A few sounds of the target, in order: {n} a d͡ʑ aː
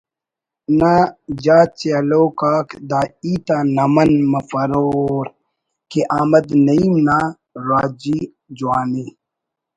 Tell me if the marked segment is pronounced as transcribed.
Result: yes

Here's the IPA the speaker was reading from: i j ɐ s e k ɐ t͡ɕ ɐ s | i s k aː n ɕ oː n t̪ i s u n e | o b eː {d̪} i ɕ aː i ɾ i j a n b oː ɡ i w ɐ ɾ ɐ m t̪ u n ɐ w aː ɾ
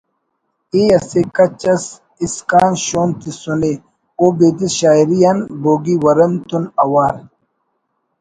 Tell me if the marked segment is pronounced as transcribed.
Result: yes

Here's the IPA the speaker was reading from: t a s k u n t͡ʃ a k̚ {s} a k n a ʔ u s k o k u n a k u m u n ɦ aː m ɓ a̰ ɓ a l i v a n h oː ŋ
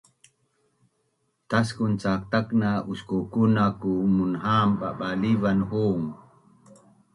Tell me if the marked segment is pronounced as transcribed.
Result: no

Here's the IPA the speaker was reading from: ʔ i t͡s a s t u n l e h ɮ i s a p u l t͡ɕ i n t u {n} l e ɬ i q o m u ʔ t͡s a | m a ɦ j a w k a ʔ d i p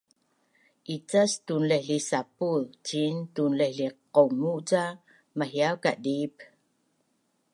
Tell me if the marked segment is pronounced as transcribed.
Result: yes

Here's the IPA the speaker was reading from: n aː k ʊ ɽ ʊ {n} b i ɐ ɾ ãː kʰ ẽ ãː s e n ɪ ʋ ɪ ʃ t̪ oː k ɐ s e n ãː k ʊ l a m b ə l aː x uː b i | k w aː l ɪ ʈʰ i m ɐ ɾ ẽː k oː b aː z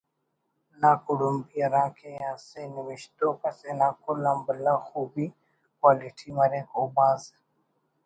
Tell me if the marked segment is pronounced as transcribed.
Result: no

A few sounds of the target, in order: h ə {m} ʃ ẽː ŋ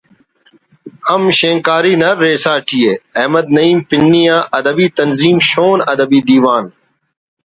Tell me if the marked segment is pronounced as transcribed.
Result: yes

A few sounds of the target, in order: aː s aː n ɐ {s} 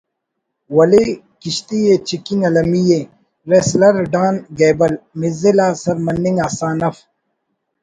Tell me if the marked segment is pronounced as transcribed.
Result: no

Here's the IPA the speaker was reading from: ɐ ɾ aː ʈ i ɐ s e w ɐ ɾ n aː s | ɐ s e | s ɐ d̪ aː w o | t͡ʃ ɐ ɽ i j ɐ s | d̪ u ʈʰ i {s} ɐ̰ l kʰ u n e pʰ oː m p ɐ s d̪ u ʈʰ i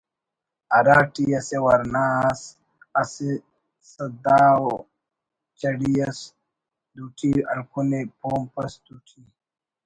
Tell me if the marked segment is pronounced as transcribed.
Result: no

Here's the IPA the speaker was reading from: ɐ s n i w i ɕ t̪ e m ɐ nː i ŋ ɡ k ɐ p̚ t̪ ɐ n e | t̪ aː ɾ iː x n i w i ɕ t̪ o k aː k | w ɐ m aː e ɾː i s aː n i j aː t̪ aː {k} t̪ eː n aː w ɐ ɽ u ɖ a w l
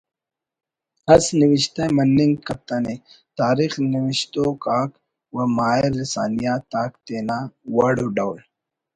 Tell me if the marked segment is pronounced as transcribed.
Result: yes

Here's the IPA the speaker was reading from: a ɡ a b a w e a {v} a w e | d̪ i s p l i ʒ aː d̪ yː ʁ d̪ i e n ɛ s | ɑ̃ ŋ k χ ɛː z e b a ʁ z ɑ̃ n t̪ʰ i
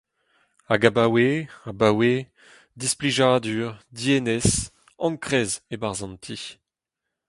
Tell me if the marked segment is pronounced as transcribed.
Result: no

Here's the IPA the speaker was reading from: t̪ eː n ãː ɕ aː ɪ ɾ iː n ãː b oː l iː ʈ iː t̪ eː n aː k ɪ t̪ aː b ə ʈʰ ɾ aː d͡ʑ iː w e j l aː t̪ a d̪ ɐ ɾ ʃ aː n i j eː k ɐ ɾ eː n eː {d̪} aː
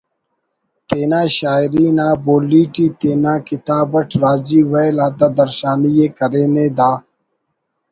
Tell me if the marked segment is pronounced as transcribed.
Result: yes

